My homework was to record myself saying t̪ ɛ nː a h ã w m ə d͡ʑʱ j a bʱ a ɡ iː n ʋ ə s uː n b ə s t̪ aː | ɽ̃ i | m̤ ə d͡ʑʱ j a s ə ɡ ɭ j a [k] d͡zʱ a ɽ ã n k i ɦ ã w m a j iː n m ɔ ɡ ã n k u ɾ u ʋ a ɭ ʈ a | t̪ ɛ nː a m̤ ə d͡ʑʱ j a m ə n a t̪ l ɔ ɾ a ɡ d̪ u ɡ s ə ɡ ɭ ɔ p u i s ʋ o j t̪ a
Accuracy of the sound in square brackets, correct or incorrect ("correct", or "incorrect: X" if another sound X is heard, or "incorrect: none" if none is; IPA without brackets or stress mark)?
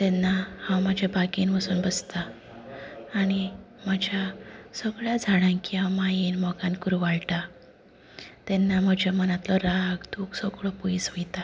incorrect: none